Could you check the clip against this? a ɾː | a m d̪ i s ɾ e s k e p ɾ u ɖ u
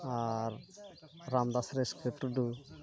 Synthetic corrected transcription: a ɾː | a m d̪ a s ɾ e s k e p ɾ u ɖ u